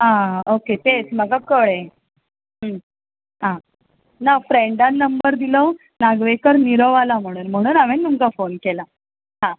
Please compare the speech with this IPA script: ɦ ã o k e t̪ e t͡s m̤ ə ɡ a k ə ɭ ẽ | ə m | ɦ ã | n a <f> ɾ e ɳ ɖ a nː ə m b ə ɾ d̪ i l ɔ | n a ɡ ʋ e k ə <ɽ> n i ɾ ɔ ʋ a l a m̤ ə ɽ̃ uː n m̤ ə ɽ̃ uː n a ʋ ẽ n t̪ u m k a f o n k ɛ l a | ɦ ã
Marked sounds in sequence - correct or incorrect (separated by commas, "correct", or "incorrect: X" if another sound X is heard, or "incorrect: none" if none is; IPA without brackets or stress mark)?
correct, incorrect: ɾ